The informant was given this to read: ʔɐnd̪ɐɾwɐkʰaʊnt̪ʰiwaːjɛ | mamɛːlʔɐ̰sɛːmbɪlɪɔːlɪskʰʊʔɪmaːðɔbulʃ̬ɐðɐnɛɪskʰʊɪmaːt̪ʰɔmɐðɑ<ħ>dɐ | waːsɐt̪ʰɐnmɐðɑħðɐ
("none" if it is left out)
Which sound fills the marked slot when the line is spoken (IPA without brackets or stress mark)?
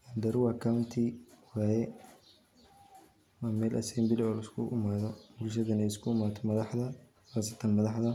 ħ